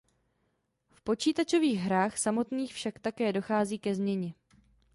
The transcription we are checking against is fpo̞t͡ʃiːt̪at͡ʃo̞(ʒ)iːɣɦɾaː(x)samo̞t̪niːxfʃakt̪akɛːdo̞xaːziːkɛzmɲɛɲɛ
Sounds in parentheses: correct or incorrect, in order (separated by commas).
incorrect, correct